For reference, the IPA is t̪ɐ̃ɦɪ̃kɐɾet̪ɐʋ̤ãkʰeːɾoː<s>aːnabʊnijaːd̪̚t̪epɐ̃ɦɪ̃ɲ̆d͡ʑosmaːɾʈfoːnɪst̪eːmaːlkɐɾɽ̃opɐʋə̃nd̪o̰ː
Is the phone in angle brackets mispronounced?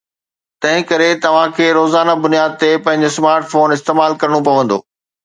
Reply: yes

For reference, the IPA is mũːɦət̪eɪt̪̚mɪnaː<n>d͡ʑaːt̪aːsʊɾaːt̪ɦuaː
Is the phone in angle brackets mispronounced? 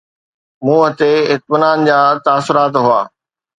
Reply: no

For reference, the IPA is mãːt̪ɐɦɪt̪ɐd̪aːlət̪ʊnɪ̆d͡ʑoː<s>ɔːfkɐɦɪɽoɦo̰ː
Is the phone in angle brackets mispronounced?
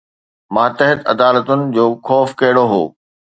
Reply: yes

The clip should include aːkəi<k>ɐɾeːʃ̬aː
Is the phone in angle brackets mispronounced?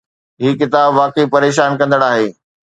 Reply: yes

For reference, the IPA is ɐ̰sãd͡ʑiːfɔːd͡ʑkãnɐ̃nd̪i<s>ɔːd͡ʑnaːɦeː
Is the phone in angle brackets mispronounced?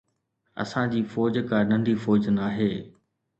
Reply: yes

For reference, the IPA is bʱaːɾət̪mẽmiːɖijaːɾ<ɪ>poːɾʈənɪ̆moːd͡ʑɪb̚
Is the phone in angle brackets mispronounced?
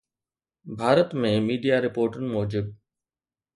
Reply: no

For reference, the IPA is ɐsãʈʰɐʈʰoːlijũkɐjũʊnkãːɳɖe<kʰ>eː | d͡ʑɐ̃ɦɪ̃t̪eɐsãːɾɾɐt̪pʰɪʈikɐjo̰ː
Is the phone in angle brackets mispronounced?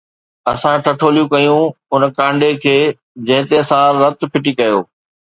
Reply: no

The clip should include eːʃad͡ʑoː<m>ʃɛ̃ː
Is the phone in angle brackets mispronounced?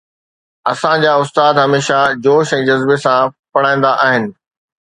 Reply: yes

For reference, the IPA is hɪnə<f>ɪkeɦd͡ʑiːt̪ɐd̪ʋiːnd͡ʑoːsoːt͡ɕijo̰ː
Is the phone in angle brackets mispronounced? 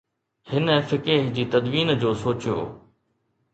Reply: no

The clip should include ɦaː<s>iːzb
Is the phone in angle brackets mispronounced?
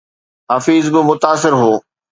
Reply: yes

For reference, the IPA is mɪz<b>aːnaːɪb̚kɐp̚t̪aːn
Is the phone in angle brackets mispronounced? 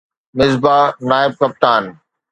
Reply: no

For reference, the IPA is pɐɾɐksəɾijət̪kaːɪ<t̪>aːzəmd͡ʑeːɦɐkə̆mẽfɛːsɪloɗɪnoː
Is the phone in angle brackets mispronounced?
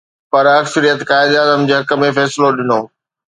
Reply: yes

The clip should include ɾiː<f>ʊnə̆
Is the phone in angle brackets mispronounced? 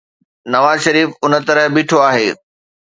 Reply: no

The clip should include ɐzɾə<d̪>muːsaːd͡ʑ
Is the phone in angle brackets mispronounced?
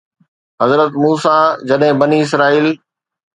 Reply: yes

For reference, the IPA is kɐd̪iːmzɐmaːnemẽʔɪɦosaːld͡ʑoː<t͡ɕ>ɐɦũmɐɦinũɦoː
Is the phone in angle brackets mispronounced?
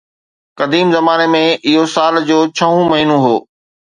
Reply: yes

